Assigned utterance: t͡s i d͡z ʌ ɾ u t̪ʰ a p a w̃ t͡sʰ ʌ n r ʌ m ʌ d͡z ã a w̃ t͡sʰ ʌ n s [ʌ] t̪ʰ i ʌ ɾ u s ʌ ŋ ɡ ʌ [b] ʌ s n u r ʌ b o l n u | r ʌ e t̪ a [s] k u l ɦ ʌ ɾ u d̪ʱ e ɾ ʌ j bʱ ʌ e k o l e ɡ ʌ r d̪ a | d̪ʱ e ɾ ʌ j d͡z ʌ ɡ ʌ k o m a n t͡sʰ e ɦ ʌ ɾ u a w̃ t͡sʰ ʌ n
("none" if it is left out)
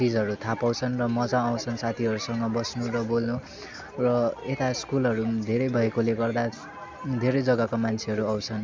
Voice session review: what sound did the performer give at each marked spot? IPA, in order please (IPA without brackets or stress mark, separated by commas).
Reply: a, b, s